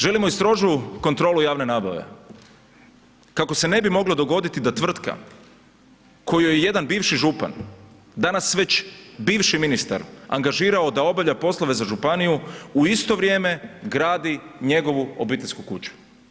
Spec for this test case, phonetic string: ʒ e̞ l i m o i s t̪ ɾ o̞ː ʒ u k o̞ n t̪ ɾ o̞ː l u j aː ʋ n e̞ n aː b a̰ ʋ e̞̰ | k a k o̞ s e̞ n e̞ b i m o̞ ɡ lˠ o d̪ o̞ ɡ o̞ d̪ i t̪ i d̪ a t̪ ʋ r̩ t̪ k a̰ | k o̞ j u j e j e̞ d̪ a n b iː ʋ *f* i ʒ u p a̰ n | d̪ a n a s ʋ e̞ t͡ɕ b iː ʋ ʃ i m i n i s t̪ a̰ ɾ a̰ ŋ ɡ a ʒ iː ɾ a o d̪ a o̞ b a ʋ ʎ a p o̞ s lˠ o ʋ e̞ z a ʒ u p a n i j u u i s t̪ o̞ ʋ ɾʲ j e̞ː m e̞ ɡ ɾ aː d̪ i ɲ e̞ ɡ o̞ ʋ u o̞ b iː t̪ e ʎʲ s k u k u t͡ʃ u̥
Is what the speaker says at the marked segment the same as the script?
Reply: no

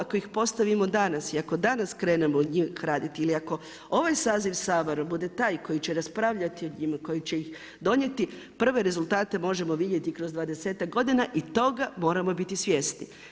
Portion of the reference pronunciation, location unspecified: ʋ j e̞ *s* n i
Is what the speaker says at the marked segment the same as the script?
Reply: yes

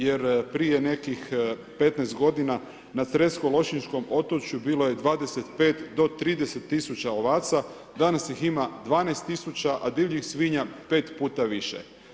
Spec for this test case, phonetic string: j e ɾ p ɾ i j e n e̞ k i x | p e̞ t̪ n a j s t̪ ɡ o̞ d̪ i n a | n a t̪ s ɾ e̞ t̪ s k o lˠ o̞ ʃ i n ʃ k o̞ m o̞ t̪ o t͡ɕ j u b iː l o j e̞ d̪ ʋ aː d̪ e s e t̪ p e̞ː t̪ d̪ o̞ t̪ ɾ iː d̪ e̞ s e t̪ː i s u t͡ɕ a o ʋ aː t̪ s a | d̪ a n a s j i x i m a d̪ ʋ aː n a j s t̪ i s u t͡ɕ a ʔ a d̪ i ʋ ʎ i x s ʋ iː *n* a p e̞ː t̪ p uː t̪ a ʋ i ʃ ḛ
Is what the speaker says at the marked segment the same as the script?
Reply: no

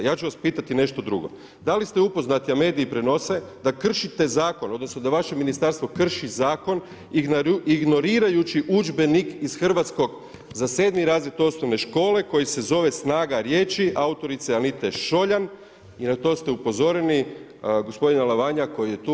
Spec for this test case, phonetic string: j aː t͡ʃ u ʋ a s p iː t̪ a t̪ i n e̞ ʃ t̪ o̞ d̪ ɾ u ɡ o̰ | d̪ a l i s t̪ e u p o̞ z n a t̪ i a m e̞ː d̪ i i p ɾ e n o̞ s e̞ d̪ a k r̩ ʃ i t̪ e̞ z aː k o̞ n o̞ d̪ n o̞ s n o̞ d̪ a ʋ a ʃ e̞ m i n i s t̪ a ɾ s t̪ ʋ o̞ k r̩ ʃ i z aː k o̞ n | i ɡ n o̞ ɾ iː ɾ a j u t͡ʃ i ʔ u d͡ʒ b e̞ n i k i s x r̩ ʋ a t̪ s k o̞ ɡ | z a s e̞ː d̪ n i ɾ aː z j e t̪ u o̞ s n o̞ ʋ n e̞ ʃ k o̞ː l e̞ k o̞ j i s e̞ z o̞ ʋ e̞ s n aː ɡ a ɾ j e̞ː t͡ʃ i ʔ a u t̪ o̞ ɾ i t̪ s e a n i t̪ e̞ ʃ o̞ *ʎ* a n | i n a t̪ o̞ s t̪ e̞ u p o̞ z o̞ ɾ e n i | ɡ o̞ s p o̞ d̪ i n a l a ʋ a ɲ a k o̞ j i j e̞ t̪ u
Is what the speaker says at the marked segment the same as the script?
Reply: yes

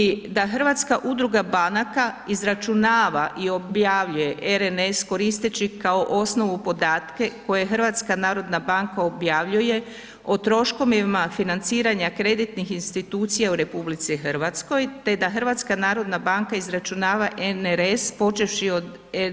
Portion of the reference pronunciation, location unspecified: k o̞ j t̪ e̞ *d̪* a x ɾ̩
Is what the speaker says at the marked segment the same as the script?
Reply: yes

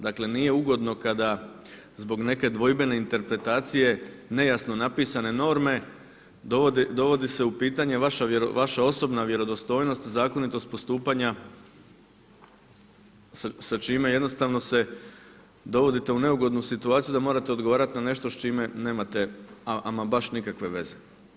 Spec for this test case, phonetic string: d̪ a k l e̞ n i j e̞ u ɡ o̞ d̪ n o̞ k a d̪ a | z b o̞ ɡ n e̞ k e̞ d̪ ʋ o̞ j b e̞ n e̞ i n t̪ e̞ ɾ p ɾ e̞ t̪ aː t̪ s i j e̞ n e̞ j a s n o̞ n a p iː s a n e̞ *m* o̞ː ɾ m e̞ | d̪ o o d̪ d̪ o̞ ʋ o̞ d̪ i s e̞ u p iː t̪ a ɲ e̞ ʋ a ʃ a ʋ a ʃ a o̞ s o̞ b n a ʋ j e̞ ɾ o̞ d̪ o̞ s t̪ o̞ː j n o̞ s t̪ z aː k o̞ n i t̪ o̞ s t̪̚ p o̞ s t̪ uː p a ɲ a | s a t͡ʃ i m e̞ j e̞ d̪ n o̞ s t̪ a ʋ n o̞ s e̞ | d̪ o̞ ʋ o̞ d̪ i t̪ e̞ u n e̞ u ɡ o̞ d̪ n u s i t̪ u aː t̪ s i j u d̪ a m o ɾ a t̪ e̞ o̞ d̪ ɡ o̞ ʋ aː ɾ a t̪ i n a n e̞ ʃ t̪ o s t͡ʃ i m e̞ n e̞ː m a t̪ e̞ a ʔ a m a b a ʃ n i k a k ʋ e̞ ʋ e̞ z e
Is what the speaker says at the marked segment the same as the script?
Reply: no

